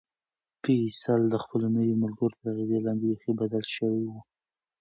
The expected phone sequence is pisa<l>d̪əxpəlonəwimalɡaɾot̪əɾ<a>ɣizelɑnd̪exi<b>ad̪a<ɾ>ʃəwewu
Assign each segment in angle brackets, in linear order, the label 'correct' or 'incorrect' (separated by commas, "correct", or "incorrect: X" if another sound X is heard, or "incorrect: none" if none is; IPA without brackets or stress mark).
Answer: correct, correct, correct, incorrect: l